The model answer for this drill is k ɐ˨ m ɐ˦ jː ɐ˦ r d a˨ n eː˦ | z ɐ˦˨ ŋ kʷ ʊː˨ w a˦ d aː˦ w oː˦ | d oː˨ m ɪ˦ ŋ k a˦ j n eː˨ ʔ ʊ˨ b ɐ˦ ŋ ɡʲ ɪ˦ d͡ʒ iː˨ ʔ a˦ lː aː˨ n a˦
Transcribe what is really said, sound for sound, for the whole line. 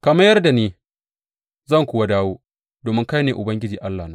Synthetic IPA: k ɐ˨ m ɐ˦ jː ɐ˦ r d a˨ n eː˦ | z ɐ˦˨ ŋ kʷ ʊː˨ w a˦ d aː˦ w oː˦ | d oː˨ m ɪ˦ ŋ k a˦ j n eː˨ ʔ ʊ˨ b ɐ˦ ŋ ɡʲ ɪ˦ d͡ʒ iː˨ ʔ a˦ lː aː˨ n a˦

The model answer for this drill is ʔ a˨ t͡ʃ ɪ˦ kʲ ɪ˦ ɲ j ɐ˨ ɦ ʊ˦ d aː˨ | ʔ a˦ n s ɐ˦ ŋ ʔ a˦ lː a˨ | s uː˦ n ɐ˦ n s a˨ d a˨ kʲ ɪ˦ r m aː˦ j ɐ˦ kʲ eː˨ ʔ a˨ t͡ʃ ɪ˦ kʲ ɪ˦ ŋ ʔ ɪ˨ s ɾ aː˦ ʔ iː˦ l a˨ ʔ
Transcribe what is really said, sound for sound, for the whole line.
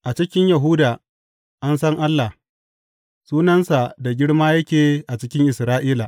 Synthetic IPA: ʔ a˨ t͡ʃ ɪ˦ kʲ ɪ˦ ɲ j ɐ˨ ɦ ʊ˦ d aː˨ | ʔ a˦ n s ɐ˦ ŋ ʔ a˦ lː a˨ | s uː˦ n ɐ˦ n s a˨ d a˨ ɡʲ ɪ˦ ɽ m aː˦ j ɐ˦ kʲ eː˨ ʔ a˨ t͡ʃ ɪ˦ kʲ ɪ˦ ŋ ʔ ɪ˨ s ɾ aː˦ ʔ iː˦ l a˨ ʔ

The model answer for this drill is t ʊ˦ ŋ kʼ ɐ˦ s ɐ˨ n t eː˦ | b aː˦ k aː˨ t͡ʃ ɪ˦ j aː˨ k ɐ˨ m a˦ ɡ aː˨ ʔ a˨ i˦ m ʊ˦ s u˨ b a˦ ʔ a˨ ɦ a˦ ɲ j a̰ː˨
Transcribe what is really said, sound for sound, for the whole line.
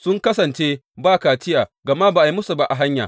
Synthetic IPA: s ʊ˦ ŋ k ɐ˦ s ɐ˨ n t͡ʃ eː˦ | b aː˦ k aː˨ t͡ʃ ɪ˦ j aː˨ ɡ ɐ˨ m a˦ b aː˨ ʔ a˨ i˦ m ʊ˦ s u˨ b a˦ ʔ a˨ ɦ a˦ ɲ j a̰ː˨

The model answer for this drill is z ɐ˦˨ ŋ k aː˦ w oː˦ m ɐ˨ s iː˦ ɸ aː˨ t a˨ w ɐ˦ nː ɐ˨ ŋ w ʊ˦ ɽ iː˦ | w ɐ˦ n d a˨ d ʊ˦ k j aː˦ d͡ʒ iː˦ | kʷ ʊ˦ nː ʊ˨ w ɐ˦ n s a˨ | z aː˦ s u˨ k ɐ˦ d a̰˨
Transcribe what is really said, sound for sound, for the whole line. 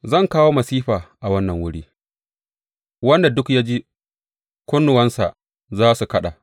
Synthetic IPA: z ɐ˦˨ ŋ k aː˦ w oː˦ m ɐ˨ s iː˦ ɸ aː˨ ʔ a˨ w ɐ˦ nː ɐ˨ ŋ w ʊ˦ ɽ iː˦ | w ɐ˦ n d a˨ d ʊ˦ k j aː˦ d͡ʒ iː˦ | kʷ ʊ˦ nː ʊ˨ w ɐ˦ n s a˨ | z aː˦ s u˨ k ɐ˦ ɗ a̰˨

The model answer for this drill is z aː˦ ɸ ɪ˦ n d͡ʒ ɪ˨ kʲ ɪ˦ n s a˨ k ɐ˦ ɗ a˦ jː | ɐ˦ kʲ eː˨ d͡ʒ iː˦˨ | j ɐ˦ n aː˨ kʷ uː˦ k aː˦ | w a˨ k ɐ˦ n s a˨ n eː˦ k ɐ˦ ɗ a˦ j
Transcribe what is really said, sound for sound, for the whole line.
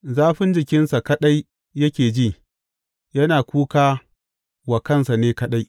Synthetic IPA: z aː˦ ɸ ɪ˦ n d͡ʒ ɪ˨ kʲ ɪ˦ n s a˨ k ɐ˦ ɗ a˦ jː | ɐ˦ kʲ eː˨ d͡ʒ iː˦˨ | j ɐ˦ n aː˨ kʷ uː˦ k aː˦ | w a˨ k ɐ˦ n s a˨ n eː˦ k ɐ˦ ɗ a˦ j

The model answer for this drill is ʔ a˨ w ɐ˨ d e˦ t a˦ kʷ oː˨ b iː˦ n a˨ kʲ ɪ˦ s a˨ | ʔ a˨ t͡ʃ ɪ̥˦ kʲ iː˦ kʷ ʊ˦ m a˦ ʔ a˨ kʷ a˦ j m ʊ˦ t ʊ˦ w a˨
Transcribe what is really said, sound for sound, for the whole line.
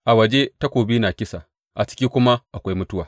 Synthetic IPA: ʔ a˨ w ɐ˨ d͡ʒ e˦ t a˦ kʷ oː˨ b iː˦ n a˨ kʲ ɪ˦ s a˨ | ʔ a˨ t͡ʃ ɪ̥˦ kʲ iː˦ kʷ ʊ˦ m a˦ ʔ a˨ kʷ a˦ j m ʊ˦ t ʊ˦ w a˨

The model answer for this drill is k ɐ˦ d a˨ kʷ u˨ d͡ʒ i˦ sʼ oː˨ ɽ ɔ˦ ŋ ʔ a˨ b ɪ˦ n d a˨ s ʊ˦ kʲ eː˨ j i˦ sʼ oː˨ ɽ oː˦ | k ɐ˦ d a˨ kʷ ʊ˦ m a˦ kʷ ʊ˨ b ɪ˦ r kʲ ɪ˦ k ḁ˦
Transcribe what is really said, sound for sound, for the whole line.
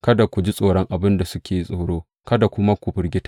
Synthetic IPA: k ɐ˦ d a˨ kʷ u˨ d͡ʒ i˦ sʼ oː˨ ɽ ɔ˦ ŋ ʔ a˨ b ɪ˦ n d a˨ s ʊ˦ kʲ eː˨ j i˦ sʼ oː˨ ɽ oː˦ | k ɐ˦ d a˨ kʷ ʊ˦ m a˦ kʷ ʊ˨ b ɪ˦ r ɡʲ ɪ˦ t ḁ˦

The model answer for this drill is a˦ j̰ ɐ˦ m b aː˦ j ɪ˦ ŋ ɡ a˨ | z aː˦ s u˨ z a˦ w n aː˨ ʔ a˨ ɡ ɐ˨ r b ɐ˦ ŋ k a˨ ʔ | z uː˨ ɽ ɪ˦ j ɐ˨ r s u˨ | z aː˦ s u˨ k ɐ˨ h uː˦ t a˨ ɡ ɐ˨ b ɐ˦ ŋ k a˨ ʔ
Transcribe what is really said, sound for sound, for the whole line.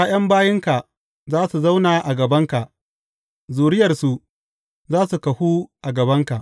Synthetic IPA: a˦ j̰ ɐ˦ m b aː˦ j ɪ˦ ŋ k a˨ | z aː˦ s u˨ z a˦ w n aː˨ ʔ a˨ ɡ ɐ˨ b ɐ˦ ŋ k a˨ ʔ | z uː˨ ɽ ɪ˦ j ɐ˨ r s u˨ | z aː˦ s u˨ k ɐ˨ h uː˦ ʔ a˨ ɡ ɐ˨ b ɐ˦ ŋ k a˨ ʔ

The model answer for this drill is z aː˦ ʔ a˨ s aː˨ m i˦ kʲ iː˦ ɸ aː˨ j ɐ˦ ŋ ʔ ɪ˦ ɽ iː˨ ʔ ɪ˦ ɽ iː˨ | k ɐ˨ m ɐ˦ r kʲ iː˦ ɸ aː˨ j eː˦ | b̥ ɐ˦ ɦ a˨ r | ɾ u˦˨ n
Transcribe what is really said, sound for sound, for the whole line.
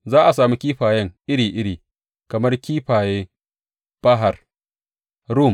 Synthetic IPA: z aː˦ ʔ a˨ s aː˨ m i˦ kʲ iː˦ ɸ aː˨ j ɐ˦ ŋ ʔ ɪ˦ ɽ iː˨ ʔ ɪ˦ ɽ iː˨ | k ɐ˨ m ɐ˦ r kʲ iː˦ ɸ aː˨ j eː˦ | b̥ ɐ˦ ɦ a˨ r | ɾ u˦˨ m

